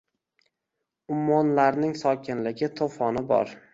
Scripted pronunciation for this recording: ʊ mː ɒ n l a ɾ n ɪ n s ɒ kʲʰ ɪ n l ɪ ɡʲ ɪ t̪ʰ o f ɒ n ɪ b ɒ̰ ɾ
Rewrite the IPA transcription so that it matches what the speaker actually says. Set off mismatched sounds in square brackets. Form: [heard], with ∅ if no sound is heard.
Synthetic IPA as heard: ʊ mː ɒ n l a ɾ n ɪ [ŋ] s ɒ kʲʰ ɪ n l ɪ ɡʲ ɪ t̪ʰ o f ɒ n ɪ b ɒ̰ ɾ